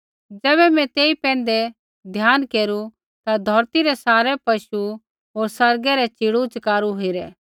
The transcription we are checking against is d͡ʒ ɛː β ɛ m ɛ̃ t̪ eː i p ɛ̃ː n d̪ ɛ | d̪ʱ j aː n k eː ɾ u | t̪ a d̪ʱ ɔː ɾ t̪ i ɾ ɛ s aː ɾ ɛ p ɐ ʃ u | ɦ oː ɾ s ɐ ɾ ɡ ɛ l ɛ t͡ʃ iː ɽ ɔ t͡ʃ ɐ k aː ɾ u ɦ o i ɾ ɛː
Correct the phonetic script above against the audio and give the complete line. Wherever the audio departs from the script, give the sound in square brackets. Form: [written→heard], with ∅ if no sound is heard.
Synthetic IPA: d͡ʒ ɛː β ɛ m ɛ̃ t̪ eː i p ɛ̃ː n d̪ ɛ | d̪ʱ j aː n k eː ɾ u | t̪ a d̪ʱ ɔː ɾ t̪ i ɾ ɛ s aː ɾ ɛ p ɐ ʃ u | ɦ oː ɾ s ɐ ɾ ɡ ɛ [l→ɾ] ɛ t͡ʃ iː ɽ [ɔ→u] t͡ʃ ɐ k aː ɾ u ɦ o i ɾ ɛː